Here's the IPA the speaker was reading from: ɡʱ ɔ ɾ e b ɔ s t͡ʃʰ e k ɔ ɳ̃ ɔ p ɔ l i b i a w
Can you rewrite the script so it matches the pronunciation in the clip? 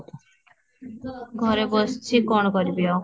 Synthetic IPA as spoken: ɡʱ ɔ ɾ e b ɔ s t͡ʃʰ i k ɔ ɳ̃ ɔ k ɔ ɾ i b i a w